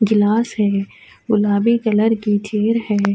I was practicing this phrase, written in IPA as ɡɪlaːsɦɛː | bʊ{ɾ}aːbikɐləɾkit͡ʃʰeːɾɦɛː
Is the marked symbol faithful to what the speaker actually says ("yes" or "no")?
no